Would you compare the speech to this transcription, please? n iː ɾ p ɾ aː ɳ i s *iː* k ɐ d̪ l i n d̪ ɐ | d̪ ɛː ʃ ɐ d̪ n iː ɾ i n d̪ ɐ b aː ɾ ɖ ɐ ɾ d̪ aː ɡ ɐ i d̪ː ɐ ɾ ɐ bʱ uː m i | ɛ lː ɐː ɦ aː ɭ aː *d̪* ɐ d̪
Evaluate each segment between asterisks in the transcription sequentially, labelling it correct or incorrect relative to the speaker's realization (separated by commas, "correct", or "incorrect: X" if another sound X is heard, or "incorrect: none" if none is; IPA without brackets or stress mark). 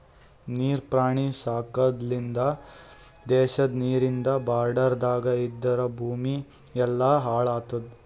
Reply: incorrect: aː, incorrect: t̪